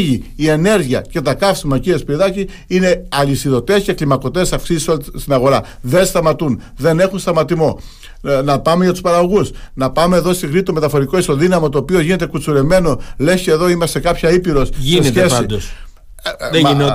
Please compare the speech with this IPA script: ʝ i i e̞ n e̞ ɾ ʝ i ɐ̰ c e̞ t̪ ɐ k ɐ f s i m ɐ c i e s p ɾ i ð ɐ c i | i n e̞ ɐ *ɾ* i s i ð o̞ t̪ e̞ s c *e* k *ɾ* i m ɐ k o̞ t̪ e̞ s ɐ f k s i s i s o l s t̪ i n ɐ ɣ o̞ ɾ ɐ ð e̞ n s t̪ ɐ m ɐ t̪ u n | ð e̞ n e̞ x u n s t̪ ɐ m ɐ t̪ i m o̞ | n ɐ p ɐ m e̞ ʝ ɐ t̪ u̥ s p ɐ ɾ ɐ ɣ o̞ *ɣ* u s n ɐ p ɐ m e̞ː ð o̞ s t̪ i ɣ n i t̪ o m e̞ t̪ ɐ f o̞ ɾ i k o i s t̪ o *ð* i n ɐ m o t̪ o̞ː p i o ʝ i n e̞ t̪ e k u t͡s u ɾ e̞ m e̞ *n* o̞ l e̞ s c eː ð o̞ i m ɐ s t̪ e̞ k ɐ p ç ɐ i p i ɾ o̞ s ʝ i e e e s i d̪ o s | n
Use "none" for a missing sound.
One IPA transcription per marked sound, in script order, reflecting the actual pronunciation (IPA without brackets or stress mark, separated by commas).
l, e, l, ɣ, ð, n